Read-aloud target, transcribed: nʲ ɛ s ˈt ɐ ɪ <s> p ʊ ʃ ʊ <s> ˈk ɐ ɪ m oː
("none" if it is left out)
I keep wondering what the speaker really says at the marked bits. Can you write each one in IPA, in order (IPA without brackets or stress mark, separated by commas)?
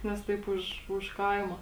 none, ʃ